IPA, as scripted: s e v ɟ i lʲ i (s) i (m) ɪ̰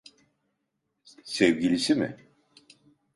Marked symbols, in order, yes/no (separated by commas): yes, yes